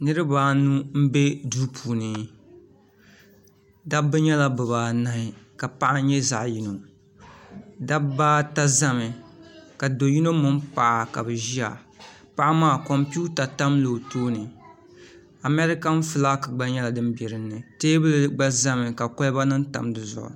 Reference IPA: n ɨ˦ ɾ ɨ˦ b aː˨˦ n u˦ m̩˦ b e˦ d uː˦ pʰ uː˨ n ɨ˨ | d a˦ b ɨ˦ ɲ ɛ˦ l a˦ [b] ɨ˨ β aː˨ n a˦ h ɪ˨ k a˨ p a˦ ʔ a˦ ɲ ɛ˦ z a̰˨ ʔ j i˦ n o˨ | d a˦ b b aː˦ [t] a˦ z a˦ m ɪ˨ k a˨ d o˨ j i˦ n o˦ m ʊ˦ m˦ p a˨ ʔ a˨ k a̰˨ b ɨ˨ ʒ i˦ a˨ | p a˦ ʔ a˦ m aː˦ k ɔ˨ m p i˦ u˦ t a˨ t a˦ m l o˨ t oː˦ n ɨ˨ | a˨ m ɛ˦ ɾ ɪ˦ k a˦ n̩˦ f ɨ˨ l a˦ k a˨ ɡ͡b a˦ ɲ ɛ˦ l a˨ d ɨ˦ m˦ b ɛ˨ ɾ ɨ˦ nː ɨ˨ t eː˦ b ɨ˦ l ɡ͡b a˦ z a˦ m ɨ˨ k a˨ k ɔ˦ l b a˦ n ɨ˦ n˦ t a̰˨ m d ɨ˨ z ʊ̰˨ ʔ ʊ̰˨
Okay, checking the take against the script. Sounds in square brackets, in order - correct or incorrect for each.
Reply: correct, correct

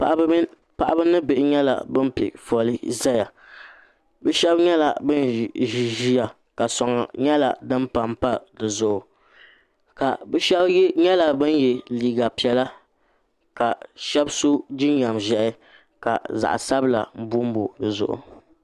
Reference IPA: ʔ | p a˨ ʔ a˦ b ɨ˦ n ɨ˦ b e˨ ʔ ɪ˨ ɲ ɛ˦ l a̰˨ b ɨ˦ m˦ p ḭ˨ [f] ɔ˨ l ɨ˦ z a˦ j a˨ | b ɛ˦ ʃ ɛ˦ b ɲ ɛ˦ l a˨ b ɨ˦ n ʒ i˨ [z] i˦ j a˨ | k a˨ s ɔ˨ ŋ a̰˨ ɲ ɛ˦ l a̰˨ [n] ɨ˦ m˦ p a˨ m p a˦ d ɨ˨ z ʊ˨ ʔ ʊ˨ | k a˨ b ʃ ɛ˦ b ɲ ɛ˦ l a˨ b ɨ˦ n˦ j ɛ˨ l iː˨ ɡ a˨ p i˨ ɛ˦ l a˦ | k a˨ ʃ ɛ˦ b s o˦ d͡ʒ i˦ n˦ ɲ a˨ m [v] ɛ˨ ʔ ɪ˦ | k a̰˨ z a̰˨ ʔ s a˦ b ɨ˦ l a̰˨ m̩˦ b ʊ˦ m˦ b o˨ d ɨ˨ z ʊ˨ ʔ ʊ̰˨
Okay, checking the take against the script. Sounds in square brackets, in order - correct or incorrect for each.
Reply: correct, incorrect: ʒ, incorrect: d, incorrect: ʒ

